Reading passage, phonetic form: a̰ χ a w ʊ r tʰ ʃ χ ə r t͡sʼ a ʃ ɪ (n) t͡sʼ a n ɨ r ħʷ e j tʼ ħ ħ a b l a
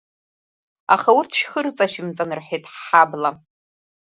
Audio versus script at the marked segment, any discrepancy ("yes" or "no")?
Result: yes